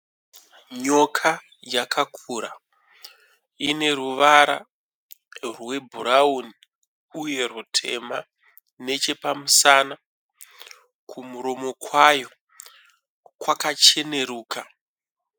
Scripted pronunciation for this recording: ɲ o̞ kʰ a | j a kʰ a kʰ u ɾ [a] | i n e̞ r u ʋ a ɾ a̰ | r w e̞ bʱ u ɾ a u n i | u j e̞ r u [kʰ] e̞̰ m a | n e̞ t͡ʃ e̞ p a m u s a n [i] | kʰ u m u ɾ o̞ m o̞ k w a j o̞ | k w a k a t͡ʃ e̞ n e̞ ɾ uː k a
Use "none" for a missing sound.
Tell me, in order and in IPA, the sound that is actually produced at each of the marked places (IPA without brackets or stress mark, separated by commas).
a, tʰ, a